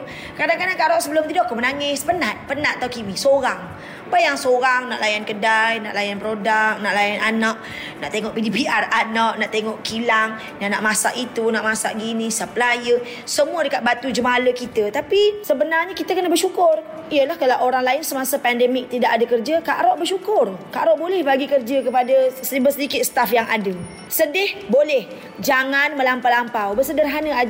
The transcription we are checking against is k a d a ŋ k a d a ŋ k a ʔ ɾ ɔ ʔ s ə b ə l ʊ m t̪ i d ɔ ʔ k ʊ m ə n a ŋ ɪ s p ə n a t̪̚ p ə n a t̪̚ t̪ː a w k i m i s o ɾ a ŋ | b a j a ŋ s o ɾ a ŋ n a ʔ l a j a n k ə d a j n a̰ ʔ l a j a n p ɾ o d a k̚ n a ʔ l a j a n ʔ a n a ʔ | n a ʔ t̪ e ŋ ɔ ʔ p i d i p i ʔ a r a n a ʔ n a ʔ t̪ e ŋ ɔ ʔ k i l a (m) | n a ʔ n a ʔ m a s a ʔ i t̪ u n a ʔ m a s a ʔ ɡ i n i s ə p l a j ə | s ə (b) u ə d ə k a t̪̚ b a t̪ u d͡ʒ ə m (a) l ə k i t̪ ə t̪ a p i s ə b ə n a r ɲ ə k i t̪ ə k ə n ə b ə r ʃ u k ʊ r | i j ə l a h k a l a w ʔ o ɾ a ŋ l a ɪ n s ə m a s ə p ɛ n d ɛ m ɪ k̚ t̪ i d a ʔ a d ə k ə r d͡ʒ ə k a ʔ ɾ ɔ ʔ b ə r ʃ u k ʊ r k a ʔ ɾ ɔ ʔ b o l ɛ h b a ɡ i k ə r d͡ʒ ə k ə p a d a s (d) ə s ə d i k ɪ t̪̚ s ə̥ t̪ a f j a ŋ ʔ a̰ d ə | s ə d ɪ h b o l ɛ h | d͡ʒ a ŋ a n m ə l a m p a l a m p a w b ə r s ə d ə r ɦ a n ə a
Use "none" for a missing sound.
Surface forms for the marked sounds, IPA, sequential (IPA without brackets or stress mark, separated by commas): ŋ, m, a, b